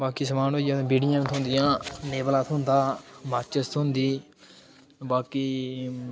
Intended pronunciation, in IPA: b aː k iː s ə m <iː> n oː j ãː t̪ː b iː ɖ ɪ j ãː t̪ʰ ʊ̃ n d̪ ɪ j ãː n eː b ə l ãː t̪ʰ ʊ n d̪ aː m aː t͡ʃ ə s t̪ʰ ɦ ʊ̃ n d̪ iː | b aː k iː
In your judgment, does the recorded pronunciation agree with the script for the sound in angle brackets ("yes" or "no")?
no